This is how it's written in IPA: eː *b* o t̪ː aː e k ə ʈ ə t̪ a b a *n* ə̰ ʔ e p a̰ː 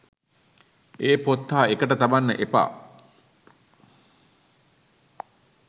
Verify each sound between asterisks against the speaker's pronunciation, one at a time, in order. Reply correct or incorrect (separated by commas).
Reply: incorrect, incorrect